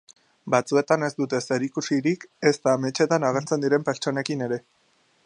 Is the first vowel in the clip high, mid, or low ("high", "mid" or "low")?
low